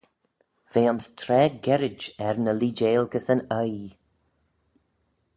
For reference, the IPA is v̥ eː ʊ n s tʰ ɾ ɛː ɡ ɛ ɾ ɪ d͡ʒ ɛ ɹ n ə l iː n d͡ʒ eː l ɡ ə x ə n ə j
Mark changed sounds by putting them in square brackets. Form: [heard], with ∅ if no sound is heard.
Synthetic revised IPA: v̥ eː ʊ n s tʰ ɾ ɛː ɡ ɛ ɾ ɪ d͡ʒ ɛ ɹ n ə l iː [∅] d͡ʒ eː l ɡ ə [s] ə n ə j